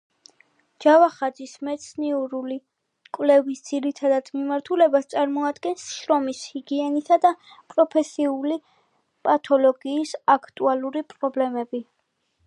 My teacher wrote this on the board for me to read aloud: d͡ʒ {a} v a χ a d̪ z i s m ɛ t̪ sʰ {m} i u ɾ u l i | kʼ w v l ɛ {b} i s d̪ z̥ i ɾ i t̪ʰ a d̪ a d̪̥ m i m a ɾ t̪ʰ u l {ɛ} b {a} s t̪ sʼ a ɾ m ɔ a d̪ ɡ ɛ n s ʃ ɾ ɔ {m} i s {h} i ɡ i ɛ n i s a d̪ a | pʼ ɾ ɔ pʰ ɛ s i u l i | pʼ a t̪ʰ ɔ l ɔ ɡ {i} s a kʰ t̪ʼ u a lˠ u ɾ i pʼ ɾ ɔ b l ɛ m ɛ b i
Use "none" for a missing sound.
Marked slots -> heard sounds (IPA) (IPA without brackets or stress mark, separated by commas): a, n, v, ɛ, a, m, h, iː